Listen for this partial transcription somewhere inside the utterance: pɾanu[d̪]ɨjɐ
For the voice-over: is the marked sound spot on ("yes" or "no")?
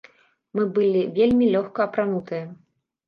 no